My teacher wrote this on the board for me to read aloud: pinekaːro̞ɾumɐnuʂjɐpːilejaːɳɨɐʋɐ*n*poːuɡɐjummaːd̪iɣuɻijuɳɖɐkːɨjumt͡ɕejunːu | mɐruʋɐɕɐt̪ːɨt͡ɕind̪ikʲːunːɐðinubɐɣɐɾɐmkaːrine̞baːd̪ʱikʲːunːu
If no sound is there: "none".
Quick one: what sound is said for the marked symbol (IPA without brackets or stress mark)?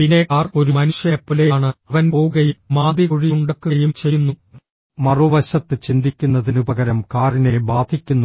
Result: n